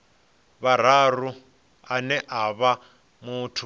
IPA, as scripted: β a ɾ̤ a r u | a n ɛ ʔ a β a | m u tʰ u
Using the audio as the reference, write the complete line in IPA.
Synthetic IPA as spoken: β a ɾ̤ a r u | a n ɛ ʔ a β a | m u tʰ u